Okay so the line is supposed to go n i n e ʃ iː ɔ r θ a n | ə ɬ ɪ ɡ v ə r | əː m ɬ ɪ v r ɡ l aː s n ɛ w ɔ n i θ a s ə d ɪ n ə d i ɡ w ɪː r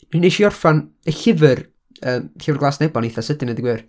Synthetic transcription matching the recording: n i n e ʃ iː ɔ r f a n | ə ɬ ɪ v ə r | əː m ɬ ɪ v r ɡ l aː s n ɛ b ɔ n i θ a s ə d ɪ n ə d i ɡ w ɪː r